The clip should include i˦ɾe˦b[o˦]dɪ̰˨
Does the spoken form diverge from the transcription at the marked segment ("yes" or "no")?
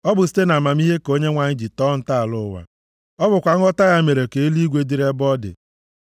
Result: yes